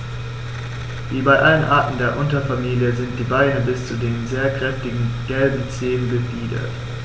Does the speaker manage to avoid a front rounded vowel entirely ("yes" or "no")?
yes